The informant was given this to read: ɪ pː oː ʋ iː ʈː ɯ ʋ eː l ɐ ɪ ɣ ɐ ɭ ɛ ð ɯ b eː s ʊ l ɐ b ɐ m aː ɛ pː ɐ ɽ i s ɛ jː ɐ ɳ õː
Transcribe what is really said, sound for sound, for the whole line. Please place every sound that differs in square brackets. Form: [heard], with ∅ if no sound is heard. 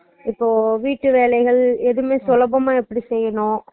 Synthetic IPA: ɪ pː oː ʋ iː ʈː ɯ ʋ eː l ɐ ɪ ɣ ɐ ɭ ɛ ð ɯ [m] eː s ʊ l ɐ b ɐ m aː ɛ pː ɐ ɽ i s ɛ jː ɐ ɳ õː